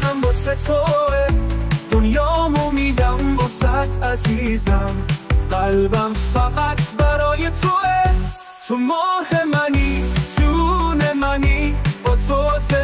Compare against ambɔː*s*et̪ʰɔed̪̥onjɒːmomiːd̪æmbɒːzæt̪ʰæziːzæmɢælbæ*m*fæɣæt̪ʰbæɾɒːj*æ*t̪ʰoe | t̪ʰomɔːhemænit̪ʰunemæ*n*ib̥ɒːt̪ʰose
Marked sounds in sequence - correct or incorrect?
correct, correct, incorrect, correct

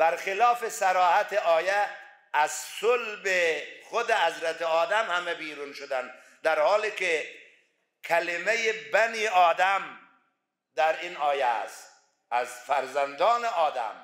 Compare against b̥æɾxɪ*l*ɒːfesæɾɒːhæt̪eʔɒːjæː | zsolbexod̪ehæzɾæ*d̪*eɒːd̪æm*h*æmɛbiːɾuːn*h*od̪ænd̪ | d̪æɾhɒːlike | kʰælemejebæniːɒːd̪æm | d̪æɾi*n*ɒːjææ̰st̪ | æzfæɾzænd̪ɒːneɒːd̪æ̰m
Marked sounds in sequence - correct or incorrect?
correct, incorrect, correct, incorrect, correct

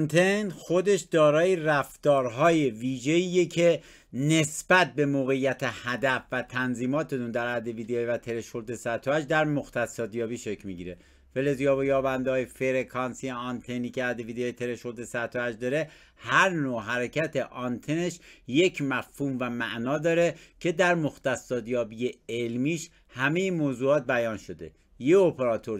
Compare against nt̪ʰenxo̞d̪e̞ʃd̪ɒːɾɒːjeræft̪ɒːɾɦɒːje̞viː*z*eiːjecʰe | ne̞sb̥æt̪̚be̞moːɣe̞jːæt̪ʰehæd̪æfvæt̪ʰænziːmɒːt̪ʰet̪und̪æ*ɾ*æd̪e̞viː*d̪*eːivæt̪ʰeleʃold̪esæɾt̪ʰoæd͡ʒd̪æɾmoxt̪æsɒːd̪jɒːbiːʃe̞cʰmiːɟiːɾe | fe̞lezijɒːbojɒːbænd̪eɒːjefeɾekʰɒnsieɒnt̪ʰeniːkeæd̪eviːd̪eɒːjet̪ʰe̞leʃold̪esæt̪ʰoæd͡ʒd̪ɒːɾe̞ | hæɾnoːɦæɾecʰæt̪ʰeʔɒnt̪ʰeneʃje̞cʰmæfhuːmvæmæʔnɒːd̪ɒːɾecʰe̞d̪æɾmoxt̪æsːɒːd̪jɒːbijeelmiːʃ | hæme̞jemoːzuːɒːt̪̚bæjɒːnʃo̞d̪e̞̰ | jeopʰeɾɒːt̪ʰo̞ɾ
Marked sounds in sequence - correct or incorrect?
incorrect, correct, correct

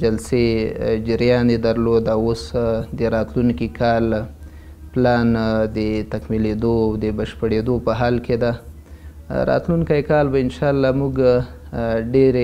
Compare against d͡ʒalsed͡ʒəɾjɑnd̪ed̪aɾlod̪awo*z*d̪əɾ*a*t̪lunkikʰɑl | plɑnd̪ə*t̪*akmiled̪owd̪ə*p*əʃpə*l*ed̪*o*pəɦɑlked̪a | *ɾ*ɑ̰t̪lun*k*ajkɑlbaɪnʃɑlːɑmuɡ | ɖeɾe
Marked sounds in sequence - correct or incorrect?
incorrect, incorrect, correct, incorrect, incorrect, correct, correct, correct

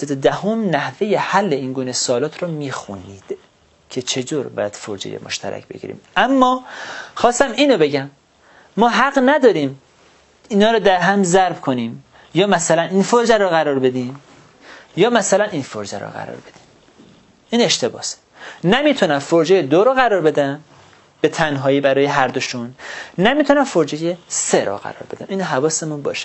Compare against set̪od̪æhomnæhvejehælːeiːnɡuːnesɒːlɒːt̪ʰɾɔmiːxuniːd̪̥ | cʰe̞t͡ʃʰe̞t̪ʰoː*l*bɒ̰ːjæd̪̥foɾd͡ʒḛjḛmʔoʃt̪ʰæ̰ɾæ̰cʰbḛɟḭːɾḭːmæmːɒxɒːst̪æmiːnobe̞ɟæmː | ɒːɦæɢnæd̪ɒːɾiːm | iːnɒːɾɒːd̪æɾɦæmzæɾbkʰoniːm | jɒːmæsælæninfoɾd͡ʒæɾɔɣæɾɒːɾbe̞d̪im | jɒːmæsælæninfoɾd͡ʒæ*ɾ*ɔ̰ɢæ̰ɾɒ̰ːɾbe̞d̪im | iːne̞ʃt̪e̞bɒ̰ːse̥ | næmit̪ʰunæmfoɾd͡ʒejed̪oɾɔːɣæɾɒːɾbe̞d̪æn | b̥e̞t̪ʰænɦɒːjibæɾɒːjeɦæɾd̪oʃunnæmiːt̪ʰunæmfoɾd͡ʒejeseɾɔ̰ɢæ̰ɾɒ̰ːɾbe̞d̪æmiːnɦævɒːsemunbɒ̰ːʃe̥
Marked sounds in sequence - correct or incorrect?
incorrect, correct

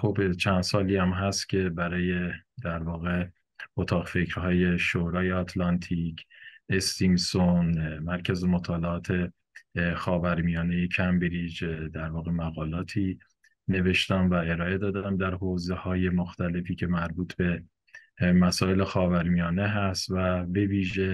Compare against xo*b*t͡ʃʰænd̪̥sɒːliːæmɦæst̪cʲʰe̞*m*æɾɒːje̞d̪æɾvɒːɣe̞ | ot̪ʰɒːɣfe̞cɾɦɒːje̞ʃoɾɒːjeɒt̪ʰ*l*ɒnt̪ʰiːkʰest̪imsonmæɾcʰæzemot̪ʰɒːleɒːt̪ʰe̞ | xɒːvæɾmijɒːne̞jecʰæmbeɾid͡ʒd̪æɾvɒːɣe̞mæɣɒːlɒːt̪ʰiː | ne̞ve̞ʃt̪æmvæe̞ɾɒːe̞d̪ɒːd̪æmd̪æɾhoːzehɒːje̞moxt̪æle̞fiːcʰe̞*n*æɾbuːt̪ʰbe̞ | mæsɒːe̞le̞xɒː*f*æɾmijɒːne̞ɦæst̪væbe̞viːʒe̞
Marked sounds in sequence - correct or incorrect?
correct, incorrect, correct, incorrect, incorrect

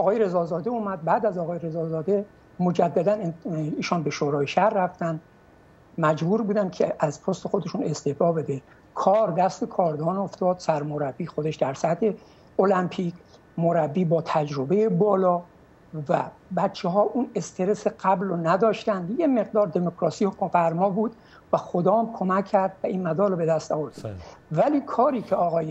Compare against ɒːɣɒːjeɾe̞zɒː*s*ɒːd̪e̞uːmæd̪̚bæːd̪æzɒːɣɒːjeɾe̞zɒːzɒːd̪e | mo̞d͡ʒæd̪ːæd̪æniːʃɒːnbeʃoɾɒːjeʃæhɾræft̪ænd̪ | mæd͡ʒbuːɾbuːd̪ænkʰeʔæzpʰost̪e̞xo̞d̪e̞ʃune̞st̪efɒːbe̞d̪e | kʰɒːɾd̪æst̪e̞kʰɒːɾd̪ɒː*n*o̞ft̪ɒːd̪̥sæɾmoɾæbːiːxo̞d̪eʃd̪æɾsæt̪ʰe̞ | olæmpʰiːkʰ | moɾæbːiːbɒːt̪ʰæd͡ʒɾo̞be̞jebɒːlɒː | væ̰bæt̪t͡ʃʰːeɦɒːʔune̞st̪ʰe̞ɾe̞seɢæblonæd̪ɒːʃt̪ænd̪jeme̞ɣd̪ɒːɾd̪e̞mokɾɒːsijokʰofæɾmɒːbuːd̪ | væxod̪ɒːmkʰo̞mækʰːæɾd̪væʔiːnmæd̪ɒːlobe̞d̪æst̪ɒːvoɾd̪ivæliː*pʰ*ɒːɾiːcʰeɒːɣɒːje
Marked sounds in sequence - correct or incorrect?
incorrect, correct, incorrect

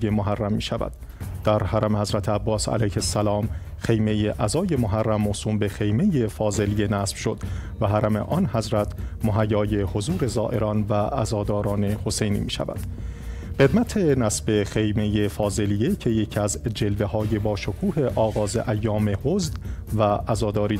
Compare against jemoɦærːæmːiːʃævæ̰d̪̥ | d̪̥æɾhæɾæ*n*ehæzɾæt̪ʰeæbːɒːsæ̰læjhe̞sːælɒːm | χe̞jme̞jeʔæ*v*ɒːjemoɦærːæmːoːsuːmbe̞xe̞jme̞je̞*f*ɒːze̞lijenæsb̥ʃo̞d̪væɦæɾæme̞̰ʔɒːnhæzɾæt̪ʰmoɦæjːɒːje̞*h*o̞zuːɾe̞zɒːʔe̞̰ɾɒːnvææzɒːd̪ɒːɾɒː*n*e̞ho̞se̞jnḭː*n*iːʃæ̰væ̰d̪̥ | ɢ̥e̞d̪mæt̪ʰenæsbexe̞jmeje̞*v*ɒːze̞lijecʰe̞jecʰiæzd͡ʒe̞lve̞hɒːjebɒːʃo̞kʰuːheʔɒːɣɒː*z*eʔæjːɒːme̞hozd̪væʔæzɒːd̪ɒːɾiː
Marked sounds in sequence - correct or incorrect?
incorrect, incorrect, correct, correct, correct, incorrect, incorrect, correct

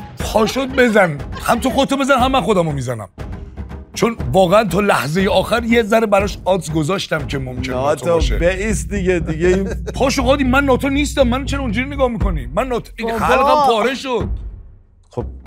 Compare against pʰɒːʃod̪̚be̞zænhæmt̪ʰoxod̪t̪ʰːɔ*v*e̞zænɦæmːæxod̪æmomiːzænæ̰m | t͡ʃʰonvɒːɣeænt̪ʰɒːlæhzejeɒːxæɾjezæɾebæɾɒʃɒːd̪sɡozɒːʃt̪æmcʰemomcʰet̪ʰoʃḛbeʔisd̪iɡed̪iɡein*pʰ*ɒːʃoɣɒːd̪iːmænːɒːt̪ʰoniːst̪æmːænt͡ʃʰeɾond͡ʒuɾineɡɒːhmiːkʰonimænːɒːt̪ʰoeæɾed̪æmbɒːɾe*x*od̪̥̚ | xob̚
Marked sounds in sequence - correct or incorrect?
incorrect, correct, incorrect

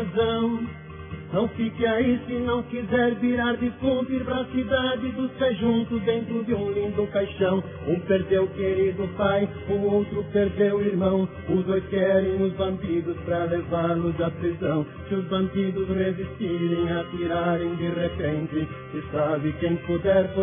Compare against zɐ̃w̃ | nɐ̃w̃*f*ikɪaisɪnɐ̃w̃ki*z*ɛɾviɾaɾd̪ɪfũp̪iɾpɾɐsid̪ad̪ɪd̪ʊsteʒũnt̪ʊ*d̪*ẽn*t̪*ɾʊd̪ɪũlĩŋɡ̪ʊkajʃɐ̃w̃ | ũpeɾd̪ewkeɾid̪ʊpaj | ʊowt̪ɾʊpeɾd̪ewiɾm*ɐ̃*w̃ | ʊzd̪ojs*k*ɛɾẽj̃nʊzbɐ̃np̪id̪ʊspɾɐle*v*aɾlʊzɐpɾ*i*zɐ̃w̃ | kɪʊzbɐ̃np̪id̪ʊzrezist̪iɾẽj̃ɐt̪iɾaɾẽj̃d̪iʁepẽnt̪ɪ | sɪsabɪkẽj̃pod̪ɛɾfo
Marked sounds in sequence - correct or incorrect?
correct, correct, correct, correct, correct, correct, correct, correct

